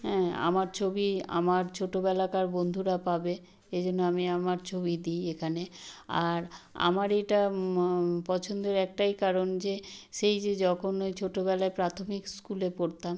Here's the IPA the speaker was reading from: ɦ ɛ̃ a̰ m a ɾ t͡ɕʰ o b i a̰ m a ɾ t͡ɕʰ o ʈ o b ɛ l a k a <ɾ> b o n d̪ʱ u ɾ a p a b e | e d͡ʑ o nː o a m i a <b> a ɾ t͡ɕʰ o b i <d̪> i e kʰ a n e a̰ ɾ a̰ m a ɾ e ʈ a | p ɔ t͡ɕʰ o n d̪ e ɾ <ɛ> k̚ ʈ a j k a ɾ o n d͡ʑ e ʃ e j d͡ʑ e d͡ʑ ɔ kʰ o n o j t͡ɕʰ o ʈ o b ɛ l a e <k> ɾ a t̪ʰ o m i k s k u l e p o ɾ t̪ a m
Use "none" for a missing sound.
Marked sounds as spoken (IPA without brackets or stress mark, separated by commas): ɾ, m, d̪, ɛ, p